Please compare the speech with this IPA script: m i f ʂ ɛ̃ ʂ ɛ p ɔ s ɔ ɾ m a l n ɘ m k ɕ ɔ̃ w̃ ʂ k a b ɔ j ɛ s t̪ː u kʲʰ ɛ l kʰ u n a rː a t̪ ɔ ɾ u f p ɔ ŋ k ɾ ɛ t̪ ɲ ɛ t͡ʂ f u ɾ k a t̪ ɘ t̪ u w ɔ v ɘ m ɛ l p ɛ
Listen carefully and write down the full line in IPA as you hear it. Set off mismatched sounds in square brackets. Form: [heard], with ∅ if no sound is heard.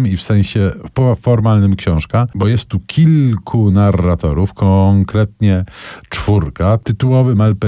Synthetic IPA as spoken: m i f [s] ɛ̃ [ɕ] ɛ p ɔ [f] ɔ ɾ m a l n ɘ m k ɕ ɔ̃ w̃ ʂ k a b ɔ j ɛ s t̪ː u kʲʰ [i] l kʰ u n a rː a t̪ ɔ ɾ u f [k] ɔ ŋ k ɾ ɛ t̪ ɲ ɛ t͡ʂ f u ɾ k a t̪ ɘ t̪ u w ɔ v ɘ m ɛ l p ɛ